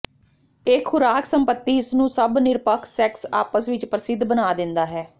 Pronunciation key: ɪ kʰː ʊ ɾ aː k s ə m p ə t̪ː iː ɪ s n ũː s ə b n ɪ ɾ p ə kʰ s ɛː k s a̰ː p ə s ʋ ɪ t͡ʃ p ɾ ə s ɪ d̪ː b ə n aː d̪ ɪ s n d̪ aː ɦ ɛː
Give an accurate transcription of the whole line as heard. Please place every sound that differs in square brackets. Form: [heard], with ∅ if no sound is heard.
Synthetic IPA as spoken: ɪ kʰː ʊ ɾ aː k s ə m p ə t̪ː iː ɪ s n ũː s ə b n ɪ ɾ p ə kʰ s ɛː k s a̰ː p ə s ʋ ɪ t͡ʃ p ɾ ə s ɪ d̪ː b ə n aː d̪ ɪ [∅] n d̪ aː ɦ ɛː